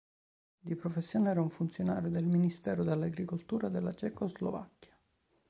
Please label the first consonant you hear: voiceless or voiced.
voiced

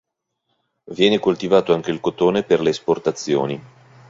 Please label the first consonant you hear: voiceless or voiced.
voiced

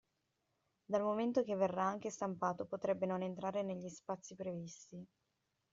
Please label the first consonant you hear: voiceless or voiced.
voiced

